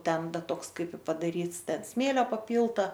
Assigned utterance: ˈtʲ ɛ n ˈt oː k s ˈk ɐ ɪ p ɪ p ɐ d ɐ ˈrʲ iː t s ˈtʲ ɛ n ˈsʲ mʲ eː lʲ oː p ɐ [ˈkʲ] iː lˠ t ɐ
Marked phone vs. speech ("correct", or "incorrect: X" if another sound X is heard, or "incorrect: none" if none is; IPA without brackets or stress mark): incorrect: pʲ